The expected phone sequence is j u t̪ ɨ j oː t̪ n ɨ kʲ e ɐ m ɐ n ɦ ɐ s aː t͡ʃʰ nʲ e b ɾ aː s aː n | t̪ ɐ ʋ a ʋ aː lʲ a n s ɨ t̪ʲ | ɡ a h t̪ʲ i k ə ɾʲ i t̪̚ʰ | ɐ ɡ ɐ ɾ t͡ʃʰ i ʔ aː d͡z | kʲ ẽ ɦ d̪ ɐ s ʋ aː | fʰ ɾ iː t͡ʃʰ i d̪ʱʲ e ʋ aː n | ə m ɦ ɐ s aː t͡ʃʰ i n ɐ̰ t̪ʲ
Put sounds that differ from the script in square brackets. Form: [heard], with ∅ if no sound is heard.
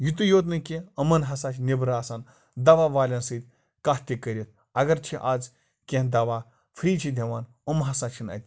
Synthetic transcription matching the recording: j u t̪ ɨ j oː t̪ n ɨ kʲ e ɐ m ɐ n ɦ ɐ s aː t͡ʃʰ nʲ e b ɾ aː s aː n | [d̪] ɐ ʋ a ʋ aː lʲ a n s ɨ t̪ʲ | [k] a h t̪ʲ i k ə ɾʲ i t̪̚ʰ | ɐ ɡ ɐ ɾ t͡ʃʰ i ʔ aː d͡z | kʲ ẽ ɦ d̪ ɐ [∅] ʋ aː | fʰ ɾ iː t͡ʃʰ i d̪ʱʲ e ʋ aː n | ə m ɦ ɐ s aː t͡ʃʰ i n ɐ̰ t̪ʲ